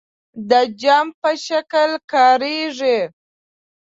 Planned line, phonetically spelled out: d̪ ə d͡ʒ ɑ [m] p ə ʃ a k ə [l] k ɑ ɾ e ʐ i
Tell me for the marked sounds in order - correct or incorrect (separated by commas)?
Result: correct, correct